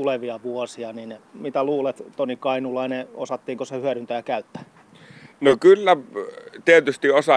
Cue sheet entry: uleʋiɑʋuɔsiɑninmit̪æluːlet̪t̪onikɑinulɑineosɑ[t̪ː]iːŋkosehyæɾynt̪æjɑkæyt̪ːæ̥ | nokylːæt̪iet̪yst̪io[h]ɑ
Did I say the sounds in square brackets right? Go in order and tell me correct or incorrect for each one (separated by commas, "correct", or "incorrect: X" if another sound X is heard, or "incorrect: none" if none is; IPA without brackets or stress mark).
correct, incorrect: s